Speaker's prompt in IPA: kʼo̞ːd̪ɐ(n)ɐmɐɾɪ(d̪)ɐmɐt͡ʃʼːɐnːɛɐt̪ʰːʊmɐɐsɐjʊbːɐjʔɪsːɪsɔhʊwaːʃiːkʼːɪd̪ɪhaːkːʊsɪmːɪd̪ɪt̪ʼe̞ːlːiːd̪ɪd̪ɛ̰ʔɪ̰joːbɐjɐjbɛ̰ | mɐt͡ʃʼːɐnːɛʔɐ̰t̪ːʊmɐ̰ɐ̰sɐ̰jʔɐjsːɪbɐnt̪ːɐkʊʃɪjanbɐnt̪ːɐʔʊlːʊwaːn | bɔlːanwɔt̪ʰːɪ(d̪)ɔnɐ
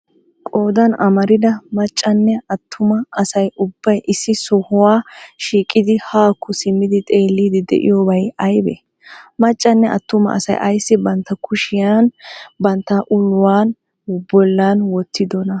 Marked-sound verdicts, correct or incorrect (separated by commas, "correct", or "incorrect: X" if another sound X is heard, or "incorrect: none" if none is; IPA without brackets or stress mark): correct, correct, correct